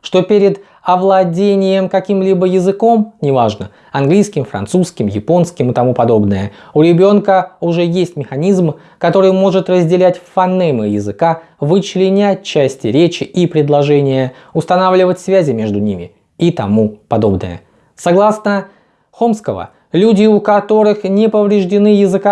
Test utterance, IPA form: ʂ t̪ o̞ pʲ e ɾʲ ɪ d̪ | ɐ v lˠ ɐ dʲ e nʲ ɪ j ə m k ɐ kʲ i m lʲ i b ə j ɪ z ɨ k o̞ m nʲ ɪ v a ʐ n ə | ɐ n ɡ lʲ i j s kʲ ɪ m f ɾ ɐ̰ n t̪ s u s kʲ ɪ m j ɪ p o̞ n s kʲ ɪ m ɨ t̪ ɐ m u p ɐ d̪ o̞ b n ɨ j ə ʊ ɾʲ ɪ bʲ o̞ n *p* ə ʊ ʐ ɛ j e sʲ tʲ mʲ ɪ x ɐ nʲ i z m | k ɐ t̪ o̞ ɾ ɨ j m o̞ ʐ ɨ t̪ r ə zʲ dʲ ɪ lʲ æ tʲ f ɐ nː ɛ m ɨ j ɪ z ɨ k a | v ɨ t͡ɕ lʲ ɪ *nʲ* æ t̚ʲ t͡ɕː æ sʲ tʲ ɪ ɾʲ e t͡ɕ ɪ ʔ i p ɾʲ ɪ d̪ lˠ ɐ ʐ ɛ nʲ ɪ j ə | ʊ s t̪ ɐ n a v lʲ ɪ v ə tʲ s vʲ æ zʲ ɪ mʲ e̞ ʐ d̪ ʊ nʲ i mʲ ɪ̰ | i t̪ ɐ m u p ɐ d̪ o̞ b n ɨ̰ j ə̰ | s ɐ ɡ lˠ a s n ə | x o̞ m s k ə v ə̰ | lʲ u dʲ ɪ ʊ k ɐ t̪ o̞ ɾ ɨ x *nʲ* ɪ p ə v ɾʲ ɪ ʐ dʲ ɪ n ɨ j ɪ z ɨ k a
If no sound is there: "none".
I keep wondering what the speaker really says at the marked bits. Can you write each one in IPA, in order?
k, nʲ, nʲ

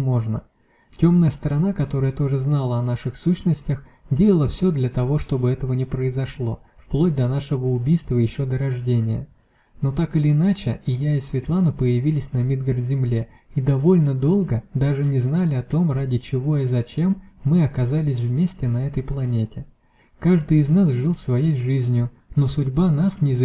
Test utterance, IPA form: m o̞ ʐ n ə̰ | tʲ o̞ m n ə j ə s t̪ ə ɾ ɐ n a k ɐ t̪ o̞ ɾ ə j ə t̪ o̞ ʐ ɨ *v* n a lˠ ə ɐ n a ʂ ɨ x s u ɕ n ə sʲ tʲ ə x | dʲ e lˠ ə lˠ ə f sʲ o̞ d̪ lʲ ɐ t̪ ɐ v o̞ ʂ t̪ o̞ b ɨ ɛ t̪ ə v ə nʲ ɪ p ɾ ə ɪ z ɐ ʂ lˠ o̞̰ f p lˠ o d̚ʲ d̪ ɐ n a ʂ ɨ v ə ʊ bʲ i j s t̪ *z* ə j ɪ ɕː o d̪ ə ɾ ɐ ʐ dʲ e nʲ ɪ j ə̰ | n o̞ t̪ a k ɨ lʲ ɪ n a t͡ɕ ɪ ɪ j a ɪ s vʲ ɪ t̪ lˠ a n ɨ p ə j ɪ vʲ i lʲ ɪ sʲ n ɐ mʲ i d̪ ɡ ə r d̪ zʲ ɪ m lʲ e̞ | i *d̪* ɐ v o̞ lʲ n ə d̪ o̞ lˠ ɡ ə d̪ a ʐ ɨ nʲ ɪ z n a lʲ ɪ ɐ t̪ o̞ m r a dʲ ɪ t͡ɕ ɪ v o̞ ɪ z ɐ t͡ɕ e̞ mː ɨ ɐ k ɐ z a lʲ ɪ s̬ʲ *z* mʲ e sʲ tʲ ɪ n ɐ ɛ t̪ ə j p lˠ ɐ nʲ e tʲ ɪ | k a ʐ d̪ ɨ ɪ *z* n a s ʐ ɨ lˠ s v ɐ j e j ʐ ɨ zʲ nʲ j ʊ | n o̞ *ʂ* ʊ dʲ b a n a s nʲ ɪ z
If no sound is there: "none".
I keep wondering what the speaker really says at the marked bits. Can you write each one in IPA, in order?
z, v, d̪, v, z, s

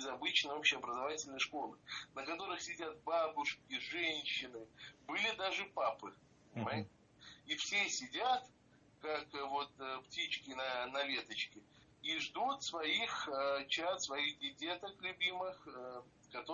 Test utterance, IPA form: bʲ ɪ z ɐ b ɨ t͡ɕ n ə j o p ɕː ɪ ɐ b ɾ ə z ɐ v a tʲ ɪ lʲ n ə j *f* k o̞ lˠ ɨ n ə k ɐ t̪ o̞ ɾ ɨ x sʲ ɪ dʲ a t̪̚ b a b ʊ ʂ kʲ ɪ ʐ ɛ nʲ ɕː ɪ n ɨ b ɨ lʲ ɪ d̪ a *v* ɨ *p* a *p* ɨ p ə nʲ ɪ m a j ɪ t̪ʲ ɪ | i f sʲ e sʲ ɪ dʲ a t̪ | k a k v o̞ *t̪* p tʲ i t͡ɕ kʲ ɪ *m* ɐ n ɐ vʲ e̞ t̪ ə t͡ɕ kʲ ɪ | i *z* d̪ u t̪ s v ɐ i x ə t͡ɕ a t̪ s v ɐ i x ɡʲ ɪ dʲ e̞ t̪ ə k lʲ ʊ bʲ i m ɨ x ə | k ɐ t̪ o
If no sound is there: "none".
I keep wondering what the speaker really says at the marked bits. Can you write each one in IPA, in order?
ʂ, ʐ, p, p, t̪, n, ʐ

